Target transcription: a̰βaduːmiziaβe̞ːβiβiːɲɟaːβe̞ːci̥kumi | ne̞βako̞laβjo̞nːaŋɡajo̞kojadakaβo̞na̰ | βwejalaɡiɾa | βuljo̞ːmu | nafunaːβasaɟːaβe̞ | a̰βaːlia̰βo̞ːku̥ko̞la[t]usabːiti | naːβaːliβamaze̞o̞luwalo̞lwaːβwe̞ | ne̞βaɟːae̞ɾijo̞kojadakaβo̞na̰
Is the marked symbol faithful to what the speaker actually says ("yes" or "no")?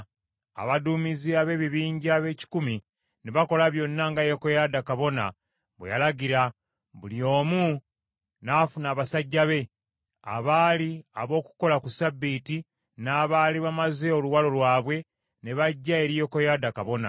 no